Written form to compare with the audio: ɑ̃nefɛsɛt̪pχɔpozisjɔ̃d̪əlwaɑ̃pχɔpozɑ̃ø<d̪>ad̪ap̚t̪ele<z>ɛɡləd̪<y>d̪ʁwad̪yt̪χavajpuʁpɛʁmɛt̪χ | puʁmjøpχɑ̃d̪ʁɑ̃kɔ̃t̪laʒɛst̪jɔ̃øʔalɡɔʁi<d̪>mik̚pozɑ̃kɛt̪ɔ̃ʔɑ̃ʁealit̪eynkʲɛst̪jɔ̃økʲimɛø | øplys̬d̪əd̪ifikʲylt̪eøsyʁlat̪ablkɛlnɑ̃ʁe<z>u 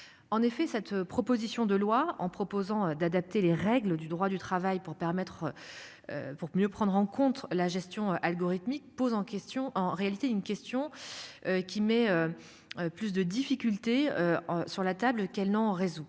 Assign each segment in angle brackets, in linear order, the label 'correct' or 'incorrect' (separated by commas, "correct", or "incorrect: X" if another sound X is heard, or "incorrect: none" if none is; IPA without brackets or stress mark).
correct, incorrect: ʁ, correct, incorrect: t̪, correct